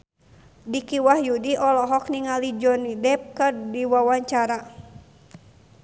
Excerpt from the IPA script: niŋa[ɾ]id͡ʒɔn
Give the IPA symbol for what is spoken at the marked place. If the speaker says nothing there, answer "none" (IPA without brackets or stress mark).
l